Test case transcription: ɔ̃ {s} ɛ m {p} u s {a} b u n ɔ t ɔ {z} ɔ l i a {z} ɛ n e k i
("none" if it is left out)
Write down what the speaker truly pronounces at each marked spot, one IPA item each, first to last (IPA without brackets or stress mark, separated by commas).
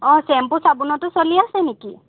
s, p, a, s, s